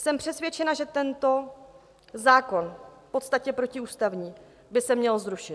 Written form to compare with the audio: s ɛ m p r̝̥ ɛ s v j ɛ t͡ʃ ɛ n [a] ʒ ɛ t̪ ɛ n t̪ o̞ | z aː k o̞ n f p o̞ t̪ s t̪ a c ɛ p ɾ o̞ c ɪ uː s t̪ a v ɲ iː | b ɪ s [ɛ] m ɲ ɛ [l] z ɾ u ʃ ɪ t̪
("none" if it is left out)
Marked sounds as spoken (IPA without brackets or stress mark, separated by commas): a, ɛ, l